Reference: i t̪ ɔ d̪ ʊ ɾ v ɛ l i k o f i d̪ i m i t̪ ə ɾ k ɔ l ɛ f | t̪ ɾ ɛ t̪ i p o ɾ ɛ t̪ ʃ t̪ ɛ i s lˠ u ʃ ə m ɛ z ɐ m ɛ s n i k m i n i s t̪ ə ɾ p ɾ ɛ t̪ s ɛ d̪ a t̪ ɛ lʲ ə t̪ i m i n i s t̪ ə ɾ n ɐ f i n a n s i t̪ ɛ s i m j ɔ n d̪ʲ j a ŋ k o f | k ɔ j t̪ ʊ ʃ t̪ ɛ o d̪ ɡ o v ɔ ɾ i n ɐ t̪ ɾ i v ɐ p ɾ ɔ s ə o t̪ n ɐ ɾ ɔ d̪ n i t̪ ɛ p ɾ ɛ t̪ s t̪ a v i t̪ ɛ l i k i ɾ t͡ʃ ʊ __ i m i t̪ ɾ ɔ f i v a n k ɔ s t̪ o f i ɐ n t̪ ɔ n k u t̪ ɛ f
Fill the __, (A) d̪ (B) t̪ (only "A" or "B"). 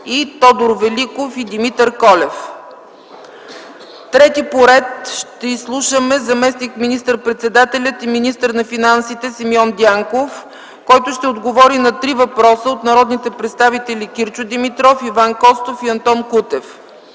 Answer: A